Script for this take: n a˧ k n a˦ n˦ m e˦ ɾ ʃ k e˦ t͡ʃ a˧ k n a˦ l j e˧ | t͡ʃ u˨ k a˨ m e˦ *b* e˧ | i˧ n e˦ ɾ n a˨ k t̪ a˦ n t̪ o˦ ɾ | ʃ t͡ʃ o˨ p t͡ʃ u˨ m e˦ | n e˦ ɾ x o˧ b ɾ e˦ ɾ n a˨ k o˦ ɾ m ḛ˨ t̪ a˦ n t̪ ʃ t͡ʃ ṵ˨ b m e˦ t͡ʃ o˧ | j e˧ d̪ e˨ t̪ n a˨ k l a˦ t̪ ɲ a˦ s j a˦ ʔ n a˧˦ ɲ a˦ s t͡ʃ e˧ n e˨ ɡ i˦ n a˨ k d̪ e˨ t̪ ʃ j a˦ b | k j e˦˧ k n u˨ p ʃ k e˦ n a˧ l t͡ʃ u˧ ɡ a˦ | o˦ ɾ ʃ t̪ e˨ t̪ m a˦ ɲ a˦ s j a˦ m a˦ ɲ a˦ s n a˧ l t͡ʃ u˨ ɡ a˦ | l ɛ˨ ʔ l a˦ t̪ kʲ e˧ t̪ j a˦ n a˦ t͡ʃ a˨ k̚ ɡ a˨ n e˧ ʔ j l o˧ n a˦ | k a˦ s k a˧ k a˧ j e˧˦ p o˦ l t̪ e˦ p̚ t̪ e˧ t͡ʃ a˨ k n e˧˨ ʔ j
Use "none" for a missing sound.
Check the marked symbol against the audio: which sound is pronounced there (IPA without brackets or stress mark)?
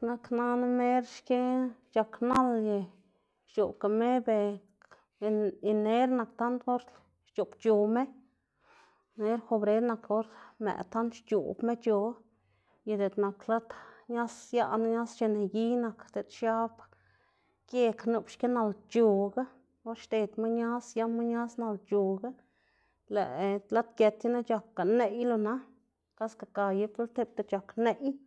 b